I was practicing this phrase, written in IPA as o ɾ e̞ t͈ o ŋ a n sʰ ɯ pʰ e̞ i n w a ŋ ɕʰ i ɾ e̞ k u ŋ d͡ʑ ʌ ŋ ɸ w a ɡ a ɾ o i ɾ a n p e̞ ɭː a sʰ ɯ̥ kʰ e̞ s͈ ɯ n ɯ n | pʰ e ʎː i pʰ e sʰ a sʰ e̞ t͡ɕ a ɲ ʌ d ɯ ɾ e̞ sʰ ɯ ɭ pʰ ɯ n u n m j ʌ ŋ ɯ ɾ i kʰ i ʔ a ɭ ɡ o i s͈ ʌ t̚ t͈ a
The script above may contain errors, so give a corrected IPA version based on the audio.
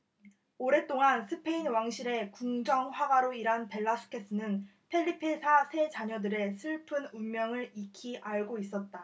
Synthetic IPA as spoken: o ɾ e̞ t͈ o ŋ a n sʰ ɯ pʰ e̞ i n w a ŋ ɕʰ i ɾ e̞ k u ŋ d͡ʑ ʌ ŋ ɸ w a ɡ a ɾ o i ɾ a n p e̞ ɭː a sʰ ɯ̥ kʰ e̞ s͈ ɯ n ɯ n | pʰ e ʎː i pʰ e sʰ a sʰ e̞ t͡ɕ a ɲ ʌ d ɯ ɾ e̞ sʰ ɯ ɭ pʰ ɯ n u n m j ʌ ŋ ɯ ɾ i kʰ i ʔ a ɭ ɡ o i s͈ ʌ t̚ t͈ a

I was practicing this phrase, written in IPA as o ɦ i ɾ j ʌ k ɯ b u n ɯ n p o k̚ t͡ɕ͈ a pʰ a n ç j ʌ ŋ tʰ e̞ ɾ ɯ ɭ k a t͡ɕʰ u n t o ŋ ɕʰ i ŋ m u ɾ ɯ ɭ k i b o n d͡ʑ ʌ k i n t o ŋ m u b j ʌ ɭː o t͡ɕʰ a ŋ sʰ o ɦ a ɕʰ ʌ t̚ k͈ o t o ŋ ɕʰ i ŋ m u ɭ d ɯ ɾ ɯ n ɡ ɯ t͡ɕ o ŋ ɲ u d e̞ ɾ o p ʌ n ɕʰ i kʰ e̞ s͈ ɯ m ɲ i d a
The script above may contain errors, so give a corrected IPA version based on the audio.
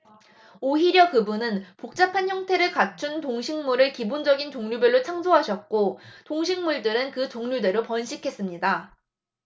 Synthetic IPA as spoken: o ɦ i ɾ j ʌ k ɯ b u n ɯ n p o k̚ t͡ɕ͈ a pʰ a n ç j ʌ ŋ tʰ e̞ ɾ ɯ ɭ k a t͡ɕʰ u n t o ŋ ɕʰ i ŋ m u ɾ ɯ ɭ k i b o n d͡ʑ ʌ ɡ i n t o ŋ ɲ u b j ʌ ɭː o t͡ɕʰ a ŋ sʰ o ɦ a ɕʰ ʌ t̚ k͈ o t o ŋ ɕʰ i ŋ m u ɭ d ɯ ɾ ɯ n k ɯ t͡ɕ o ŋ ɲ u d e̞ ɾ o p ʌ n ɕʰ i kʰ e̞ s͈ ɯ m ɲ i d a

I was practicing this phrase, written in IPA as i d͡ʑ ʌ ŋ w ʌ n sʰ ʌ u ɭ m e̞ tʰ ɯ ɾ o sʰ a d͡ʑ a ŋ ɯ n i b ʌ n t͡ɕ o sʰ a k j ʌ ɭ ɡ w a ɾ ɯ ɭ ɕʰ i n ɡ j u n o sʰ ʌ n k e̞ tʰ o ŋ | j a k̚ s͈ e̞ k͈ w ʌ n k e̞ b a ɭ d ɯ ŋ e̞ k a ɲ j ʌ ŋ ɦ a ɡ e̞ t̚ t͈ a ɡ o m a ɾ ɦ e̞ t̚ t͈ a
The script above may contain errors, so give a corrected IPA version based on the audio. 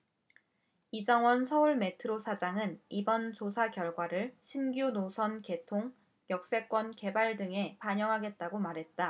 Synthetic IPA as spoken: i d͡ʑ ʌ ŋ w ʌ n sʰ ʌ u ɭ m e̞ tʰ ɯ ɾ o sʰ a d͡ʑ a ŋ ɯ n i b ʌ n t͡ɕ o sʰ a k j ʌ ɭ ɡ w a ɾ ɯ ɭ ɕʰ i n ɡ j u n o sʰ ʌ n k e̞ tʰ o ŋ | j ʌ k̚ s͈ e̞ k͈ w ʌ n k e̞ b a ɭ d ɯ ŋ e̞ p a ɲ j ʌ ŋ ɦ a ɡ e̞ t̚ t͈ a ɡ o m a ɾ ɦ e̞ t̚ t͈ a

